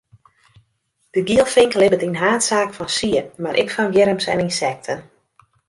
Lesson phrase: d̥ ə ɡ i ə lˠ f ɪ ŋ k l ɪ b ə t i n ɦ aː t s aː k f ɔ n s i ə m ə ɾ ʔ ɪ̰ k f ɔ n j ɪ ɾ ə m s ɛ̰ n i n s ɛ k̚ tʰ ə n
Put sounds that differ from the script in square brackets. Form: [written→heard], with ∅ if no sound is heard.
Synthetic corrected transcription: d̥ ə ɡ i ə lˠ f ɪ ŋ k l ɪ b ə t i n ɦ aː t s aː k f ɔ n s i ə m [ə→a] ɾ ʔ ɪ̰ k f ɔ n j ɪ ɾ ə m s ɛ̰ n i n s ɛ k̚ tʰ ə n